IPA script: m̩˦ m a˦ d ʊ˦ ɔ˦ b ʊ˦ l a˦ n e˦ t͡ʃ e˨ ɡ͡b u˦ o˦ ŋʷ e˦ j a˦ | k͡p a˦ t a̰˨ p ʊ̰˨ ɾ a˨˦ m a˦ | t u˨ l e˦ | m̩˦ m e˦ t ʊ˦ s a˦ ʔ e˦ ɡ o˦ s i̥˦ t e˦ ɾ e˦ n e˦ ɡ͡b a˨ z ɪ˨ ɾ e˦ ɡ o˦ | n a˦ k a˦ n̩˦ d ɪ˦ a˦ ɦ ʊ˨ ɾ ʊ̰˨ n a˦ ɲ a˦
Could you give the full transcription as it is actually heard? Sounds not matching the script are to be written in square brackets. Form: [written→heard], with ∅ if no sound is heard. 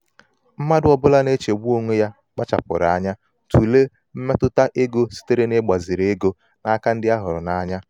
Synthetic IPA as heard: m̩˦ m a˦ d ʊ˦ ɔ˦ b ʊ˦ l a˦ n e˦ t͡ʃ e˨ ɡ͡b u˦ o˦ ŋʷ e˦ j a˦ | k͡p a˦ [t→t͡ʃ] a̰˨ p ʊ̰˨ ɾ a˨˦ [m→ɲ] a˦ | t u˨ l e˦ | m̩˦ m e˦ t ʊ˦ [s→t] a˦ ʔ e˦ ɡ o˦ s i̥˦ t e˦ ɾ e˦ n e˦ ɡ͡b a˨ z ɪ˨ ɾ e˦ ɡ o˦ | n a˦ k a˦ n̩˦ d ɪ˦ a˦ ɦ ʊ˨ ɾ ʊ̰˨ n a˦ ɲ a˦

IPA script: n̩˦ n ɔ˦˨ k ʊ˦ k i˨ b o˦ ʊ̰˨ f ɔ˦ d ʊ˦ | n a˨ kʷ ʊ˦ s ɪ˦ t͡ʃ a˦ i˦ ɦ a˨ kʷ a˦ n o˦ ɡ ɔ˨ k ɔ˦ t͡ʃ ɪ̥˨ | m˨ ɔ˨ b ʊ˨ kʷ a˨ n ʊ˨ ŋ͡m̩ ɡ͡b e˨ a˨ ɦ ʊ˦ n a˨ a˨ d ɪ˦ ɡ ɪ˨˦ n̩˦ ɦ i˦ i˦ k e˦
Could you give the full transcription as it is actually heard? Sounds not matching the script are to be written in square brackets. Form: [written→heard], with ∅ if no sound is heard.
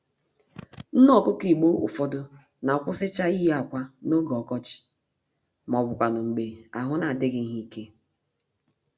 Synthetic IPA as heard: n̩˦ n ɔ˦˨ k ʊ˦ k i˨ [b→ɡ͡b] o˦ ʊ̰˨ f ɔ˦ d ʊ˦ | n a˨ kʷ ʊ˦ s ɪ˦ t͡ʃ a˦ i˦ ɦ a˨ kʷ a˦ n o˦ ɡ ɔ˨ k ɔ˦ t͡ʃ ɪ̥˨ | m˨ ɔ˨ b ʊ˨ kʷ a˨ n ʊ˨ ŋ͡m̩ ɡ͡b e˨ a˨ ɦ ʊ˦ n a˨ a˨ d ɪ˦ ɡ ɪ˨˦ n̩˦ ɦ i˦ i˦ k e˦

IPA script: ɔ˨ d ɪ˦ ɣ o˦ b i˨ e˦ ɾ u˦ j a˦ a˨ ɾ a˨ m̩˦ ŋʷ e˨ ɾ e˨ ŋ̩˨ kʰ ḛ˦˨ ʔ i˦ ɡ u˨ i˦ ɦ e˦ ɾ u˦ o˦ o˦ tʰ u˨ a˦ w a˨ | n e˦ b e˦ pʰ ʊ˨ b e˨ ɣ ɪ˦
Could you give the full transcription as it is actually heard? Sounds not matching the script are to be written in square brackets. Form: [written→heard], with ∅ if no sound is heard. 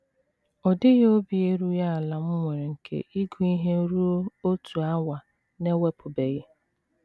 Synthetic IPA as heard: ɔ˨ d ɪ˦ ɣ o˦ b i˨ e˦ ɾ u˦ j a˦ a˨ [ɾ→l] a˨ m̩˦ ŋʷ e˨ ɾ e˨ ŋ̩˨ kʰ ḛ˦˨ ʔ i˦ ɡ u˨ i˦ ɦ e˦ ɾ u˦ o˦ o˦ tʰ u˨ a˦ w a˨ | n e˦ [b→w] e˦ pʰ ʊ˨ b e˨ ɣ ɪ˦

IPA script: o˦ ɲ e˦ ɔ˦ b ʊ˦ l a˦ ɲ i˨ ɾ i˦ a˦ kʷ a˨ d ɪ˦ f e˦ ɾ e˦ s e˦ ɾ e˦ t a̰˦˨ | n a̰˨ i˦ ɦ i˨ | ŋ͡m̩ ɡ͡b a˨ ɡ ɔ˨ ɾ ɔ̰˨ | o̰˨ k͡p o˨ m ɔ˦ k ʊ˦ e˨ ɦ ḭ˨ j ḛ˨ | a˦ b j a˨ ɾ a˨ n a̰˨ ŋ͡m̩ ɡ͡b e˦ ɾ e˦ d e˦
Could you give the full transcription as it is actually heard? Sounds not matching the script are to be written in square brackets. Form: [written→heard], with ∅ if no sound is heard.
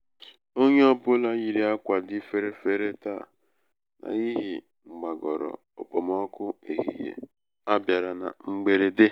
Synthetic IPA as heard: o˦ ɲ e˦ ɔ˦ b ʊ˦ l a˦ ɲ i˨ ɾ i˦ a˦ kʷ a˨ d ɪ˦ f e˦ ɾ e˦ [s→f] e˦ ɾ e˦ t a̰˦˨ | n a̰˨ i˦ ɦ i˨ | ŋ͡m̩ ɡ͡b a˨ ɡ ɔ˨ ɾ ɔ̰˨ | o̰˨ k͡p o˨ m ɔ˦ k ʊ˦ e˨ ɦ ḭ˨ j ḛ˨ | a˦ b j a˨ ɾ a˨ n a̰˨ ŋ͡m̩ ɡ͡b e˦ ɾ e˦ d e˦

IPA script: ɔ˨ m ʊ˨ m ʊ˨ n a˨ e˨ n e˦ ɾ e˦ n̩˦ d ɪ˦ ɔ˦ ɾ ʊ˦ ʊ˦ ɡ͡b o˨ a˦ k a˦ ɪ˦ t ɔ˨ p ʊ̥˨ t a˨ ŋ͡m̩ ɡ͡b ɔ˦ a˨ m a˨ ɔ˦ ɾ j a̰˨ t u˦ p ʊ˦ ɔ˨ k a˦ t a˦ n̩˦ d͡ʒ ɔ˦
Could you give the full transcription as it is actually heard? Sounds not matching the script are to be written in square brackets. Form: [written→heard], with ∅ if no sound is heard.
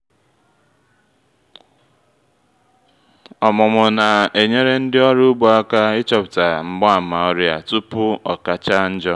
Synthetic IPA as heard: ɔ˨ m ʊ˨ m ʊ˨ n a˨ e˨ [n→ɲ] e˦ ɾ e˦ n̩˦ d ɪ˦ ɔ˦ ɾ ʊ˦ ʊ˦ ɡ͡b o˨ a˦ k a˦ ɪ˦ [t→t͡ʃ] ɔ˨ p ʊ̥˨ t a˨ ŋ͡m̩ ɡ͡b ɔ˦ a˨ m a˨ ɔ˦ ɾ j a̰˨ t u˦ p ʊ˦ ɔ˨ k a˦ [t→t͡ʃ] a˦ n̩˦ d͡ʒ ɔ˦

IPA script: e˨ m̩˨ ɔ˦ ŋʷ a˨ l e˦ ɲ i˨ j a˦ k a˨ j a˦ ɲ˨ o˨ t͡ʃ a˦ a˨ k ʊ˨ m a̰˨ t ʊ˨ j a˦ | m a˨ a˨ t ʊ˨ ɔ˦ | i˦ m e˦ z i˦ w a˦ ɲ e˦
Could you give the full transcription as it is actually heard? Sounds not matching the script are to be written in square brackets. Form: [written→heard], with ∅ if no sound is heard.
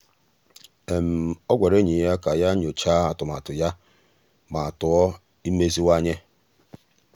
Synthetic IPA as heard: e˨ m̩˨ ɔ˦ [ŋʷ→ɡʷ] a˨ [l→ɾ] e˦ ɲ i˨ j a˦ k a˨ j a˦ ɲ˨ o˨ t͡ʃ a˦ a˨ [k→t] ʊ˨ m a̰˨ t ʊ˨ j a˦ | m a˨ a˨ t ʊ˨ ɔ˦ | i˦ m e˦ z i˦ w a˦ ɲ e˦

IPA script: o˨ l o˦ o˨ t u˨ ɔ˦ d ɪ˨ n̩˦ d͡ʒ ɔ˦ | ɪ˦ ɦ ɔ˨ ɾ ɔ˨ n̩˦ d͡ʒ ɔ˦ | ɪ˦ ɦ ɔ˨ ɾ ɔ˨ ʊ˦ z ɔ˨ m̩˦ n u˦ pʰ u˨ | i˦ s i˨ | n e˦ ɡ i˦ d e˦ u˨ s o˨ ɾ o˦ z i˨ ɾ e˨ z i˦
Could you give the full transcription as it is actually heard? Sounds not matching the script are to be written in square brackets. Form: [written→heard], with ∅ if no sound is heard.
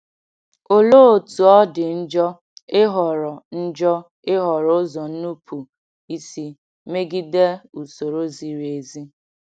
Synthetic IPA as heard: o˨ l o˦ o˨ t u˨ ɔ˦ d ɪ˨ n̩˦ d͡ʒ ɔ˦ | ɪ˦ ɦ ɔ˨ ɾ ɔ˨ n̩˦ d͡ʒ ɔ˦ | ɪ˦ ɦ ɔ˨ ɾ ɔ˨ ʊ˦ z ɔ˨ [m̩˦→n̩˦] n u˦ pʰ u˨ | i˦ s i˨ | [n→m] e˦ ɡ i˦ d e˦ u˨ s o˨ ɾ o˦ z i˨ ɾ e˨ z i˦

